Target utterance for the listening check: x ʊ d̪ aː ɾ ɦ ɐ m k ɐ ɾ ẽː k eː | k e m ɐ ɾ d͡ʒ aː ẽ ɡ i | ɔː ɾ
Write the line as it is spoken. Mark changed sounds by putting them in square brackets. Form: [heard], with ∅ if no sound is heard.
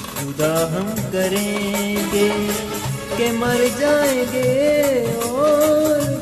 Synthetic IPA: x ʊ d̪ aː [∅] ɦ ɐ m k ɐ ɾ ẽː [ɡ] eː | k e m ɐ ɾ d͡ʒ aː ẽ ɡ [e] | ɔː ɾ